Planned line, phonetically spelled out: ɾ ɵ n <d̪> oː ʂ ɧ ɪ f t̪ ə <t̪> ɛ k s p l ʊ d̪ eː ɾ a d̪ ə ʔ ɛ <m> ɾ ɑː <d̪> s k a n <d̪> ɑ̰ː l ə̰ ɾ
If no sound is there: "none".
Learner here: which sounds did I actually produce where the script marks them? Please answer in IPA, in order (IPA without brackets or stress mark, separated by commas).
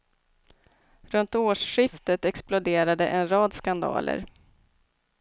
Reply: t̪, t̪, n, d̪, d̪